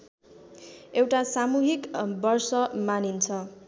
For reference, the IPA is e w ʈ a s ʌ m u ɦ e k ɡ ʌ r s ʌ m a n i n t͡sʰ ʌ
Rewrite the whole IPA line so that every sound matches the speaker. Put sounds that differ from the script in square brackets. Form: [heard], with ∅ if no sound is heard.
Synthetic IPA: e w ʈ a s [a] m u ɦ [i] k [b] ʌ r s ʌ m a n i n t͡sʰ ʌ